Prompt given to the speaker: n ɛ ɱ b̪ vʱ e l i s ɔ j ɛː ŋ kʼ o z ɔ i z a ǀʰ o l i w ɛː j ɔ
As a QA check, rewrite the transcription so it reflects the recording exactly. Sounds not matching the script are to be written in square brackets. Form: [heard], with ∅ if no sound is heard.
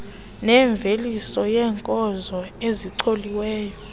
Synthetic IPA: n ɛ ɱ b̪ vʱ e l i s ɔ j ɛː ŋ kʼ [ɔ] z ɔ [e] z [i] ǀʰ o l i w ɛː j ɔ

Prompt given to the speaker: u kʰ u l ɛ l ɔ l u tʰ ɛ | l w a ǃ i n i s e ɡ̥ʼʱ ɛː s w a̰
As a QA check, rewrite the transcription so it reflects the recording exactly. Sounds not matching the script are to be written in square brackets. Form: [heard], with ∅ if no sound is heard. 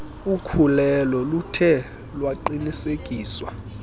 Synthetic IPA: u kʰ u l ɛ l ɔ l u tʰ ɛ | l w a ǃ i n i s e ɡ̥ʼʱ [iː] s w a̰

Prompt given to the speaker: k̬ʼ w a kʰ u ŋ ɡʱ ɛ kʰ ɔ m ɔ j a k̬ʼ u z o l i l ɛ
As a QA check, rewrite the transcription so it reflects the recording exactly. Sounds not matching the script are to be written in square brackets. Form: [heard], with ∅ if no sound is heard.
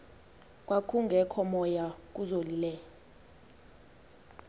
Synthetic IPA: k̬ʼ w a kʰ u ŋ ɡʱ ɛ kʰ ɔ m ɔ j a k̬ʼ u z o l i l ɛ

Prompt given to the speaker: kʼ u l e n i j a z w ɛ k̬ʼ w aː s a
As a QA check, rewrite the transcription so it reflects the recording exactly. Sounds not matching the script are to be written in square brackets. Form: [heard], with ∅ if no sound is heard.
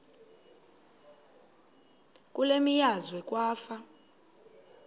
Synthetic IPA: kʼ u l e [m] i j a z w ɛ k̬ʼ w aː [f] a

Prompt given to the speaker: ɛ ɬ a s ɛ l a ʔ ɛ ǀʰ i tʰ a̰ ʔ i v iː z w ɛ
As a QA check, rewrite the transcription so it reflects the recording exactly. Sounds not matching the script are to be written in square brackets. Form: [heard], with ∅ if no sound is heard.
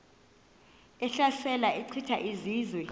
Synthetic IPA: ɛ ɬ a s ɛ l a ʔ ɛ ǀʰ i tʰ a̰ ʔ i [z] iː z w ɛ

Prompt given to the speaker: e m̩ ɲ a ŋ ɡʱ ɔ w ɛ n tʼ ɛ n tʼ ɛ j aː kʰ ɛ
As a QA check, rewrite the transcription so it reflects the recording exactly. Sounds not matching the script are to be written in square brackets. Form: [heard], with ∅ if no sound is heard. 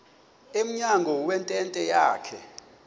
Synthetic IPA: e m̩ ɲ a ŋ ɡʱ ɔ w ɛ n tʼ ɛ n tʼ ɛ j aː kʰ ɛ

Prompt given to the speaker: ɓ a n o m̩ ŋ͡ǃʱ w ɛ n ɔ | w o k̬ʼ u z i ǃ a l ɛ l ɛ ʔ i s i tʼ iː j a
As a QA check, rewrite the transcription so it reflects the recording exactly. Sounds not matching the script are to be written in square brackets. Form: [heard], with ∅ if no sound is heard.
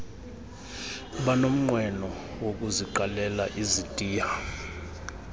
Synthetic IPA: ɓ a n o m̩ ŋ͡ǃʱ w ɛ n ɔ | w o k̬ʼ u z i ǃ a l ɛ l [a] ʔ i [z] i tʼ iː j a

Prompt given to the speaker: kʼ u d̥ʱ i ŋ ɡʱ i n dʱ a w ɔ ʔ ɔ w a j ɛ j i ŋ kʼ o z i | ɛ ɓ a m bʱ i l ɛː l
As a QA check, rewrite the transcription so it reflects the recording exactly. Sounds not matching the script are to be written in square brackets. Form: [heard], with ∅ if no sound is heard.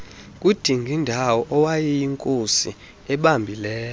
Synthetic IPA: kʼ u d̥ʱ i ŋ ɡʱ i n dʱ a w ɔ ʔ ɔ w a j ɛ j i ŋ kʼ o [s] i | ɛ ɓ a m bʱ i l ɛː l

